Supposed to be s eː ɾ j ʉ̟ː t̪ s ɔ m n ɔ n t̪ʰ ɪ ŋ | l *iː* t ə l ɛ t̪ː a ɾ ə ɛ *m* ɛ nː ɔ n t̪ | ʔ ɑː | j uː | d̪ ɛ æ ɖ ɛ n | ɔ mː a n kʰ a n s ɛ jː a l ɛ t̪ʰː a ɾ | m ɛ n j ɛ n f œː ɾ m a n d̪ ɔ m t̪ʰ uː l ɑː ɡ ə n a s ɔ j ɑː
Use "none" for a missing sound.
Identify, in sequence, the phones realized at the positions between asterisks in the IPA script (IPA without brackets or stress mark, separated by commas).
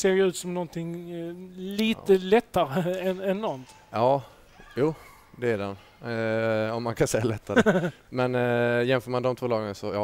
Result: iː, n